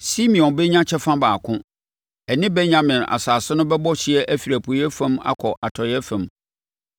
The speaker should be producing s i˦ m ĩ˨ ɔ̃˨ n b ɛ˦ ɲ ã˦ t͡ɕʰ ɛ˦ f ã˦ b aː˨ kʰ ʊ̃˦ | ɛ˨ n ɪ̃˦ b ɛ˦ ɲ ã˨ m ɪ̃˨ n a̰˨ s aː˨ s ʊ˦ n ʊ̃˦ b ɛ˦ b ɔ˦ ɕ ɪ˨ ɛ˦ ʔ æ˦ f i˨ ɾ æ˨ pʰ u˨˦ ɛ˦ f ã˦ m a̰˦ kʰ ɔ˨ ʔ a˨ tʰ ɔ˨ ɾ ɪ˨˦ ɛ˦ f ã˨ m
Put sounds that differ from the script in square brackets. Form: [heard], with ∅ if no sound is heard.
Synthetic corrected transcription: s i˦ m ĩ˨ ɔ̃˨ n b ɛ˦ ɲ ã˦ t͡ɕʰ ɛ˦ f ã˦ b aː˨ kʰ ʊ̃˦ | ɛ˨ n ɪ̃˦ b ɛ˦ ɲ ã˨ m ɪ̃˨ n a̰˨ s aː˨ s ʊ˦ n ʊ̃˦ b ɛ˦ b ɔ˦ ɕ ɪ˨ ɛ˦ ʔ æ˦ f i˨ ɾ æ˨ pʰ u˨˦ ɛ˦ f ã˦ m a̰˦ kʰ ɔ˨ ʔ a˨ tʰ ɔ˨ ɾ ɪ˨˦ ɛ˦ f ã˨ m

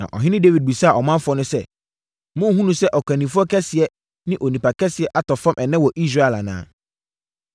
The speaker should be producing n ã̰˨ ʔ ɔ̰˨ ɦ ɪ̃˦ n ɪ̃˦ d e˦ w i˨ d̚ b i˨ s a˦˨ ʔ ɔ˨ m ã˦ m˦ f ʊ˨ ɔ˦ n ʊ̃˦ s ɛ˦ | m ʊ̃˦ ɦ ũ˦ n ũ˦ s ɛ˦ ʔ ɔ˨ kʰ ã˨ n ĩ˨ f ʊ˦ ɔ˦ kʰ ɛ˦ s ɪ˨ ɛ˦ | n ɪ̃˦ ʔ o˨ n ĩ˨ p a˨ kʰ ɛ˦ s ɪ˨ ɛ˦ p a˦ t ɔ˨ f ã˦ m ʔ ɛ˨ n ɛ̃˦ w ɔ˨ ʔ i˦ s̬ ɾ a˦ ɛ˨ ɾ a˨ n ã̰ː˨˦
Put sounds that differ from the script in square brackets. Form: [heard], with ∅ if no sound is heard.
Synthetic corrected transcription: n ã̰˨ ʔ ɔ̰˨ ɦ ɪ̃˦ n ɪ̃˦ d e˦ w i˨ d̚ b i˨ s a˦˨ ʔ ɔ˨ m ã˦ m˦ f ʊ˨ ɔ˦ n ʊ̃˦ s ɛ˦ | m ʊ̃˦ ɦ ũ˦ n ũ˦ s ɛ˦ ʔ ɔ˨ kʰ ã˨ n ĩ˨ f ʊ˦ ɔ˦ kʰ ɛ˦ s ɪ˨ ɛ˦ | n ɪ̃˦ ʔ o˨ n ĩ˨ p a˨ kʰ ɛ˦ s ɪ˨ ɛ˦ [ʔ] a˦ t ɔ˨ f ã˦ m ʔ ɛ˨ n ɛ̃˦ w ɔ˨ ʔ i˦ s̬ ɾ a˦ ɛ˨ [l] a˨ n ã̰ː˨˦

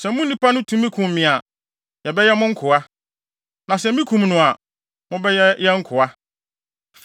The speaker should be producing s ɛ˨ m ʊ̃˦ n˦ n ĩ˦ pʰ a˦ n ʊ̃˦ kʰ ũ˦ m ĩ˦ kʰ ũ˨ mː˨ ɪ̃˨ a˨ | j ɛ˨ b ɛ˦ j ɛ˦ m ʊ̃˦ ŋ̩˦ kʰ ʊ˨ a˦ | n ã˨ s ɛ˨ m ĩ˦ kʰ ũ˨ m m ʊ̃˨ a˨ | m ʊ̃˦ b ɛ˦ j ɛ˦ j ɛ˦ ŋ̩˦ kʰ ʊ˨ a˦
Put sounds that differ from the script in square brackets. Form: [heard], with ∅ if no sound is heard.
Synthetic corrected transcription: s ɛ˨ m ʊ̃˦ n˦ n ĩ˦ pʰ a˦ n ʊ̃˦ [tʰ] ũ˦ m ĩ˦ kʰ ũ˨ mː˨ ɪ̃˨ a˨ | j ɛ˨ b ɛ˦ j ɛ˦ m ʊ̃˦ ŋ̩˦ kʰ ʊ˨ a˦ | n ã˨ s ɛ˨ m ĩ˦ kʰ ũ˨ m [n] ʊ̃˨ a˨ | m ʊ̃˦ b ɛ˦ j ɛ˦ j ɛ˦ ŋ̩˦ kʰ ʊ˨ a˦

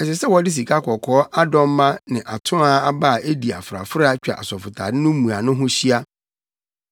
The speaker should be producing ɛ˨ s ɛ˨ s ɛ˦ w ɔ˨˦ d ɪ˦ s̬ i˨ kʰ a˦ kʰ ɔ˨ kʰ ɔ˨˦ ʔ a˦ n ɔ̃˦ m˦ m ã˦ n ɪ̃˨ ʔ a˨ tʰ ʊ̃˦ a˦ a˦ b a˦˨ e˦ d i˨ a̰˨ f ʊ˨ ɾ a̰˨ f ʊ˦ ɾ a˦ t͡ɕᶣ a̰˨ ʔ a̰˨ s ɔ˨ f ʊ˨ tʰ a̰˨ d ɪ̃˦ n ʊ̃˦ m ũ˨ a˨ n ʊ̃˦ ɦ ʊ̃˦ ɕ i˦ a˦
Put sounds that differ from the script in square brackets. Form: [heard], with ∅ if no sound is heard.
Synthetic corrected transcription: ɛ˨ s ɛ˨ s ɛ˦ w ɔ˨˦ d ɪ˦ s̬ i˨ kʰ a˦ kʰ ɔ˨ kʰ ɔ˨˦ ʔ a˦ [d] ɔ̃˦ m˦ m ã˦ n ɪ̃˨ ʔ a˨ tʰ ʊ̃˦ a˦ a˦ b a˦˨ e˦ d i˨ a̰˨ f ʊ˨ ɾ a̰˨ f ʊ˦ ɾ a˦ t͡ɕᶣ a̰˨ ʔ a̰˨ s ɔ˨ f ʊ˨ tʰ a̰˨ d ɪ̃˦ n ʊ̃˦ m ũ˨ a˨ n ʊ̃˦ ɦ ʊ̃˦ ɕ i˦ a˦

